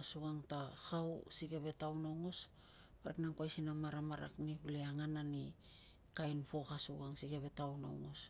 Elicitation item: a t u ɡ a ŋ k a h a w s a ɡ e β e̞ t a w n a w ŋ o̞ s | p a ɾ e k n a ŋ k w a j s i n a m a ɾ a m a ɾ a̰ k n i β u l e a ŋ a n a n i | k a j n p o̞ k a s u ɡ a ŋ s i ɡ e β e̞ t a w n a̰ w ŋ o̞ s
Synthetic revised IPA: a s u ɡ a ŋ t a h a w s i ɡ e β e̞ t a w n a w ŋ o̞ s | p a ɾ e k n a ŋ k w a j s i n a m a ɾ a m a ɾ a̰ k n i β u l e a ŋ a n a n i | k a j n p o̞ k a s u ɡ a ŋ s i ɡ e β e̞ t a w n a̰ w ŋ o̞ s